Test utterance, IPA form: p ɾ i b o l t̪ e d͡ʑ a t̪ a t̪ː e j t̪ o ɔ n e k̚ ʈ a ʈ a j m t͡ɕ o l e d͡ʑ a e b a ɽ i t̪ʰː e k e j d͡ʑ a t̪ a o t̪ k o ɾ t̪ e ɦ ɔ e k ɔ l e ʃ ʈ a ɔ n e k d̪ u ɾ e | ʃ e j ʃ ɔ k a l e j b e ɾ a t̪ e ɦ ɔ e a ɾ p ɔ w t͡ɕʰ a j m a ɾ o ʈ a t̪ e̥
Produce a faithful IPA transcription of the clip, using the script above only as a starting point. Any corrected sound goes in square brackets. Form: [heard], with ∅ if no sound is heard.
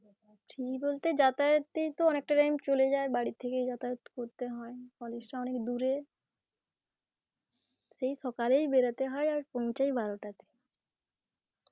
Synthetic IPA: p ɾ i b o l t̪ e d͡ʑ a t̪ a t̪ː e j t̪ o ɔ n e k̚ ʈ a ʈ a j m t͡ɕ o l e d͡ʑ a e b a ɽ i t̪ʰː e k e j d͡ʑ a t̪ a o t̪ k o ɾ t̪ e ɦ ɔ e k ɔ l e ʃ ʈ a ɔ n e k d̪ u ɾ e | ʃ e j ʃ ɔ k a l e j b e ɾ a t̪ e ɦ ɔ e a ɾ p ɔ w [t͡ɕ] a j [b] a ɾ o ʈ a t̪ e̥